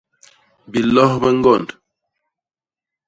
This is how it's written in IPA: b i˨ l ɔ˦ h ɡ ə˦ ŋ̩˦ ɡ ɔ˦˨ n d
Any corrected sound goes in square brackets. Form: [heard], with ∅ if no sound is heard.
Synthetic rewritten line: b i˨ l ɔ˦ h [b] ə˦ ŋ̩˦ ɡ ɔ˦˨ n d